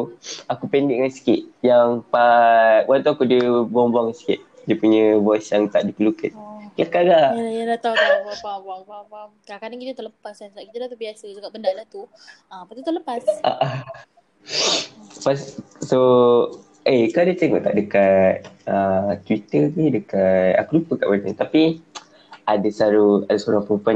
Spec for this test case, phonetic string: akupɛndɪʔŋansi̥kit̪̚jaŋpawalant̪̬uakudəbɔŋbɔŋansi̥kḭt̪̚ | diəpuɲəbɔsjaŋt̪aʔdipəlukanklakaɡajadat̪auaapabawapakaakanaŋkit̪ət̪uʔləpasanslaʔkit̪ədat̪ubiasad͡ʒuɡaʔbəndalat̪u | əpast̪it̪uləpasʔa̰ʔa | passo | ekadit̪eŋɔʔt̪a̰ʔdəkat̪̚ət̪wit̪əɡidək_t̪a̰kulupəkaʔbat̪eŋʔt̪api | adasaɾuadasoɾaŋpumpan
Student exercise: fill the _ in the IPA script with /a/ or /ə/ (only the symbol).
a